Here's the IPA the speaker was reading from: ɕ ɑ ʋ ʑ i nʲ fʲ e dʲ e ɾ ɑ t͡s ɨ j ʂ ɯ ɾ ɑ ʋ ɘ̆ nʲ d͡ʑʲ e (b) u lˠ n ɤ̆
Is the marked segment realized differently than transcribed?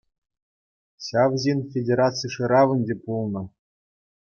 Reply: yes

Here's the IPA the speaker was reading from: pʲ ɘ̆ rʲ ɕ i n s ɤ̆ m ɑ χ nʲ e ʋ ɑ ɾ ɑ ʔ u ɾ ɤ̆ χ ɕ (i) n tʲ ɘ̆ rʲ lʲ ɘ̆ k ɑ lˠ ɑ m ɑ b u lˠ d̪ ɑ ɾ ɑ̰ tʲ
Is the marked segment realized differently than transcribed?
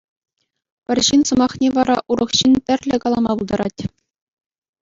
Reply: no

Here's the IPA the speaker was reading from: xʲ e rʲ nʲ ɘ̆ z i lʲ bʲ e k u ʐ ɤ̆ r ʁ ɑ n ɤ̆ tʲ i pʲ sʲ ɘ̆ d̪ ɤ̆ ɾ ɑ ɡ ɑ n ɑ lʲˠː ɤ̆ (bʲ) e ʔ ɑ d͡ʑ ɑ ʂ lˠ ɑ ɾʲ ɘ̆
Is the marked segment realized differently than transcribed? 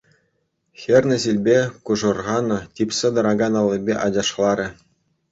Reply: no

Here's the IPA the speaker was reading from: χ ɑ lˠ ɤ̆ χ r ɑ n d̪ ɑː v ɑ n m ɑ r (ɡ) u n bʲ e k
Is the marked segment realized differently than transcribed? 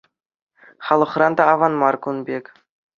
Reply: yes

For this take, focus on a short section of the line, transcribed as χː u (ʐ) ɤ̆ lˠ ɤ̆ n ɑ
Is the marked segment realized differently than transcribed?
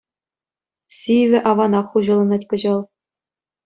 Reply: yes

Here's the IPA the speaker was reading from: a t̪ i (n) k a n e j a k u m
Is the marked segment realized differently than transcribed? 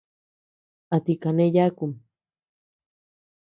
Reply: yes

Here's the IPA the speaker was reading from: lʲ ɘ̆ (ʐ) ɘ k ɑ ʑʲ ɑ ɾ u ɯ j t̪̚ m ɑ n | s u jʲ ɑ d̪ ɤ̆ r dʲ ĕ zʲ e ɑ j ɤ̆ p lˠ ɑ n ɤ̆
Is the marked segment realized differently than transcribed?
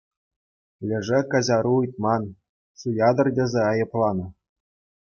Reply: no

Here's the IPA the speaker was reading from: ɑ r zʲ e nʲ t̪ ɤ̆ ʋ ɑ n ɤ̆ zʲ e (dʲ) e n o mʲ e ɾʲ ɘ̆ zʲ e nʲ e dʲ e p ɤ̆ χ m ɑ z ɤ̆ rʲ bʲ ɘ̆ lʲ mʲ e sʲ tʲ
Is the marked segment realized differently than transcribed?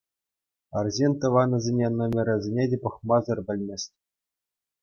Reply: yes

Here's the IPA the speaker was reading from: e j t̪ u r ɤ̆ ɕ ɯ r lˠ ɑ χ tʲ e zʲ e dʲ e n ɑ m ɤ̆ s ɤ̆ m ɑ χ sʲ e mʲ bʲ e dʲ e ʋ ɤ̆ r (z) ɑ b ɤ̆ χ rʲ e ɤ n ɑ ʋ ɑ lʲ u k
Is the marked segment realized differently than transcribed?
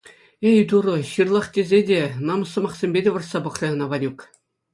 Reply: yes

